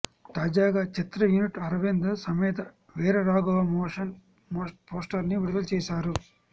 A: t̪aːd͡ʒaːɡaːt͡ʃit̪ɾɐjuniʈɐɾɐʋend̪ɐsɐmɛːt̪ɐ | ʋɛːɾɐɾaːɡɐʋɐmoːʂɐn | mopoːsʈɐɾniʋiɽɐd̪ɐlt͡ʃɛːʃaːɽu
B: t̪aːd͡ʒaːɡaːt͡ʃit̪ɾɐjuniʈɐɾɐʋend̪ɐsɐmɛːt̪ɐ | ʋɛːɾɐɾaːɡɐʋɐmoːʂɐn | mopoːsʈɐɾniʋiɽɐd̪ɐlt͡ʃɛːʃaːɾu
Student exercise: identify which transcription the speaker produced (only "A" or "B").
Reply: B